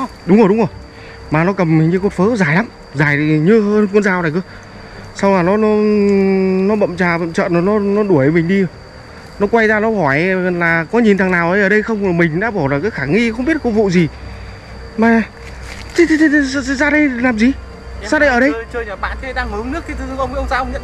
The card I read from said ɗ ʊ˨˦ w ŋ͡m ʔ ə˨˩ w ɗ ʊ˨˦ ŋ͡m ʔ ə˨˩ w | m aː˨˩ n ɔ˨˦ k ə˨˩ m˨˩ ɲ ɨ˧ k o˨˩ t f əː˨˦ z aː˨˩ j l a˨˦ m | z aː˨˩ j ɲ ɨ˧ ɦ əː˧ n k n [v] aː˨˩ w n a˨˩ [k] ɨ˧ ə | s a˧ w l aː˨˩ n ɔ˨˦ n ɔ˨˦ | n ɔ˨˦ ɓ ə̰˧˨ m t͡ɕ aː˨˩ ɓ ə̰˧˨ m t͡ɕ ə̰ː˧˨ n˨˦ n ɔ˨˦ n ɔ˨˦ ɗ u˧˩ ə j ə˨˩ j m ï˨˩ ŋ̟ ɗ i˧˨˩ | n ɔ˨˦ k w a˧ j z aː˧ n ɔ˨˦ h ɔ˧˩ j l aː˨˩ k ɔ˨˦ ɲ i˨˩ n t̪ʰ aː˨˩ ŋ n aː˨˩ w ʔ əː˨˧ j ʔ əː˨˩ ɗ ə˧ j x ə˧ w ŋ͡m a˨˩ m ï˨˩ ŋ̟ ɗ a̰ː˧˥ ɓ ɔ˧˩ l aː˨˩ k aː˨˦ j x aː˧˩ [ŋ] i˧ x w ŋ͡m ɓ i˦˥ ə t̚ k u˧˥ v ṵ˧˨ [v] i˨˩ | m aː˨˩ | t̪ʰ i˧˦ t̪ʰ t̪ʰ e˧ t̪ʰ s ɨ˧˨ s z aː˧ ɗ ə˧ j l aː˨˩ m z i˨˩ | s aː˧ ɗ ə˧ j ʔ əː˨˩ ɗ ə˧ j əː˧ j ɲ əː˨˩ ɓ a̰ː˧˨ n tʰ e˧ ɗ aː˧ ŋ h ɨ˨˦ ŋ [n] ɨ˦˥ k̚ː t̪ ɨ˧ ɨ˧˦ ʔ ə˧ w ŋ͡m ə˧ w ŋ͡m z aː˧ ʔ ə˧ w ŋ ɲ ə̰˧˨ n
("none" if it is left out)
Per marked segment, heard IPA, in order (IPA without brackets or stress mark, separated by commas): z, k, ŋ, z, n